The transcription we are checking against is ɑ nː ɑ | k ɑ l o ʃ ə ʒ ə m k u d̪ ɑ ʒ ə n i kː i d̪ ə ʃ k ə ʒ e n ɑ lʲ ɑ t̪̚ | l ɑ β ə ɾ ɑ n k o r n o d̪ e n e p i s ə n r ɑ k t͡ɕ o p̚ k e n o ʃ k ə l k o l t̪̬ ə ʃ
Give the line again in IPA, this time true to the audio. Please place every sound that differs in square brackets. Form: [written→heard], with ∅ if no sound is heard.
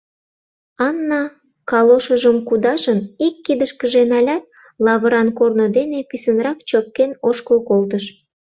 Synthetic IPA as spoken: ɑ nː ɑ | k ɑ l o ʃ ə ʒ ə m k u d̪ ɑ ʒ ə n i kː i d̪ ə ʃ k ə ʒ e n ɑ lʲ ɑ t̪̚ | l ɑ β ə ɾ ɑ n k o r n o d̪ e n e p i s ə n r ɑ k t͡ɕ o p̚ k e n o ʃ k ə l k o l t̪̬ ə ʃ